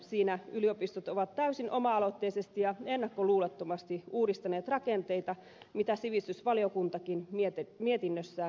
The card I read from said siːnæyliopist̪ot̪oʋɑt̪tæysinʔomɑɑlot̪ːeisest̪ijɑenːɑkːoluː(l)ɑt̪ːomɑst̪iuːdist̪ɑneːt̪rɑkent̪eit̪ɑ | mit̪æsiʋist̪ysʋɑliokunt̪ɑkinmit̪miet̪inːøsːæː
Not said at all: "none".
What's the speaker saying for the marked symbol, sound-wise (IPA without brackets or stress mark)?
l